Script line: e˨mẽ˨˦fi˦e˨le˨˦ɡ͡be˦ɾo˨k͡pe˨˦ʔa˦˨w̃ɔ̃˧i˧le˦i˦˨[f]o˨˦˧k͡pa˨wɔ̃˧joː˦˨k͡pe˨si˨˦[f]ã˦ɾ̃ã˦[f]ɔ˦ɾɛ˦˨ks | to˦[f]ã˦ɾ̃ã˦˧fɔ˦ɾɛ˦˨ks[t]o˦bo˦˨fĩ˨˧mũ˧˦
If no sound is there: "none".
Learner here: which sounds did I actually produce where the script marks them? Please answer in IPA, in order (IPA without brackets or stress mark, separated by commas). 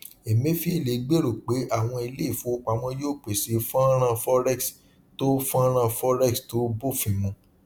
f, f, f, f, t